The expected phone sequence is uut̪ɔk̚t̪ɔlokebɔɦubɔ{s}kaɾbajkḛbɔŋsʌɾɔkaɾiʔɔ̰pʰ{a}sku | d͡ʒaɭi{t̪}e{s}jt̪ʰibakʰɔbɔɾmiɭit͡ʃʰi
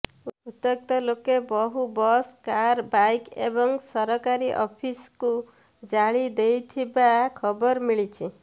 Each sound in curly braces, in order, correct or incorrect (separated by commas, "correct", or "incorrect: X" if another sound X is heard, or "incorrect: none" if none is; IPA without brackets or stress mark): correct, incorrect: i, incorrect: d̪, incorrect: none